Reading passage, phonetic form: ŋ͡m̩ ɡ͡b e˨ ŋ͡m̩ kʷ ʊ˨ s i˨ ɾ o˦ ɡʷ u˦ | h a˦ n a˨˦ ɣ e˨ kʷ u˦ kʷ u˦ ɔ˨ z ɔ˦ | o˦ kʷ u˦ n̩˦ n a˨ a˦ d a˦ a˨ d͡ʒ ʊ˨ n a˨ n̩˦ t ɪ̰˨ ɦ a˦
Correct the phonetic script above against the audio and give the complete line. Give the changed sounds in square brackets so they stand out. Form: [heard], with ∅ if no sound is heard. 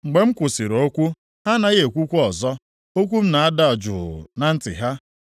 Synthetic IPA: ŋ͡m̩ ɡ͡b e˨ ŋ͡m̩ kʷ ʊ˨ s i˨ ɾ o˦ [kʷ] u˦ | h a˦ n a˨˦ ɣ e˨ kʷ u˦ kʷ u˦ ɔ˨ z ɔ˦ | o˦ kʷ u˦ [m̩˦] n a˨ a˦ d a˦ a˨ d͡ʒ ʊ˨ n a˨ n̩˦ t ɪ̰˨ ɦ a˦